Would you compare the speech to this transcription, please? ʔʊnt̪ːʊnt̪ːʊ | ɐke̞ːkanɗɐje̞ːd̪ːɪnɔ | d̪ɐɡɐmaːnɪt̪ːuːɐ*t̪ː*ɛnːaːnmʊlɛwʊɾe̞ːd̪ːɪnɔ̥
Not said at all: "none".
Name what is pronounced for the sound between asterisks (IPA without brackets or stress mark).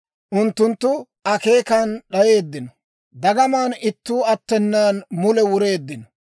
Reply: t̪ː